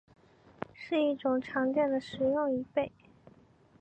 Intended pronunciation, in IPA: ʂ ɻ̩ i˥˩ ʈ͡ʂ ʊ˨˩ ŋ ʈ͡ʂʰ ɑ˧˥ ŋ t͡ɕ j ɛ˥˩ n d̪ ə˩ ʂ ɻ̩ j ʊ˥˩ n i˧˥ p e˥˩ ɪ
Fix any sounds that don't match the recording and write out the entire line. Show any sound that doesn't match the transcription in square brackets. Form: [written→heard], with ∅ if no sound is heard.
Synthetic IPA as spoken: ʂ ɻ̩ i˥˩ ʈ͡ʂ ʊ˨˩ ŋ ʈ͡ʂʰ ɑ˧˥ ŋ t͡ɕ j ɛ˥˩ n d̪ ə˩ ʂ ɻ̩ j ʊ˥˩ [n→ŋ] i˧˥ p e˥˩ ɪ